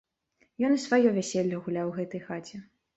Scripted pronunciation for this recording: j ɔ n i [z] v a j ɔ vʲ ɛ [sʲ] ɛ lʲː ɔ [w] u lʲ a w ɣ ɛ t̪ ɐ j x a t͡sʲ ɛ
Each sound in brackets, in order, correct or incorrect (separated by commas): incorrect, correct, incorrect